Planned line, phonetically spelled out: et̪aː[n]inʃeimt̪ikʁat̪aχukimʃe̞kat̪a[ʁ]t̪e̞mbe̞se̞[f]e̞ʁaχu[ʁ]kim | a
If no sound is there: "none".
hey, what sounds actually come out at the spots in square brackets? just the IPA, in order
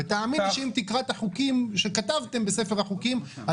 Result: m, v, f, none

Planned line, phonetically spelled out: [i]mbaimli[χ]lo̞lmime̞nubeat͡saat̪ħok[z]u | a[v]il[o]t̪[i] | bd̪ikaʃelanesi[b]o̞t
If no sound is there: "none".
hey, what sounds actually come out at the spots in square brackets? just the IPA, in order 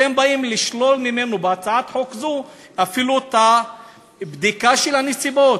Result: e, ʃ, z, f, u, a, b

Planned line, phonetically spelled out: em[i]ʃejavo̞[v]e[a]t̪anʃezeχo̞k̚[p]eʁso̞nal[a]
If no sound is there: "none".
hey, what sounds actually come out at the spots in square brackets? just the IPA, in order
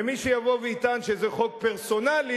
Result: i, v, i, p, i

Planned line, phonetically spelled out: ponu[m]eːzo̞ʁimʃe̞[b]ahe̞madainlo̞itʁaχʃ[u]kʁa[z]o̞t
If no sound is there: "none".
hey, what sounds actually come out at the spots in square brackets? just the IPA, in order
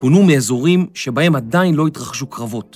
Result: m, b, u, v

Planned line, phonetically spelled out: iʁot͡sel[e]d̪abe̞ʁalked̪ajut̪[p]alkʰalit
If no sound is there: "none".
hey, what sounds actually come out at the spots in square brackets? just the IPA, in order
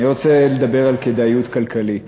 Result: e, k

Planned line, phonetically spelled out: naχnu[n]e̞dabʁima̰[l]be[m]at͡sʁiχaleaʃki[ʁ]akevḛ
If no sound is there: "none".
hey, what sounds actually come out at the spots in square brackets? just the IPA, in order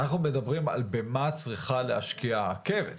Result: m, l, m, none

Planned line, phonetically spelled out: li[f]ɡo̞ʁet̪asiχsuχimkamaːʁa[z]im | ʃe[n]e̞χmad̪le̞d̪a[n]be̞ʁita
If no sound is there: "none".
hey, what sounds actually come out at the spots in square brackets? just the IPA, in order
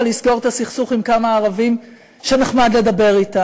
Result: s, v, n, none

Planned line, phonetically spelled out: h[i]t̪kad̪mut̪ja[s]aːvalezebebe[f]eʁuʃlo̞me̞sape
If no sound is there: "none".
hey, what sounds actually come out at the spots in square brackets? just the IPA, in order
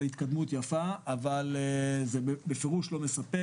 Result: i, f, f

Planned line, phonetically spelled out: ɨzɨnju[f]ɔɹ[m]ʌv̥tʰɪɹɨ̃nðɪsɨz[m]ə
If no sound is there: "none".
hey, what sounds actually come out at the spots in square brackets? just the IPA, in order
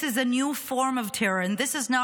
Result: f, m, n

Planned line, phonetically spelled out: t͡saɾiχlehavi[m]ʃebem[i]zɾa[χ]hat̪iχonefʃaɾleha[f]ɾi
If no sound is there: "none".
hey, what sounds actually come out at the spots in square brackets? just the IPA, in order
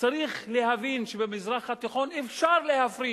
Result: n, i, χ, f

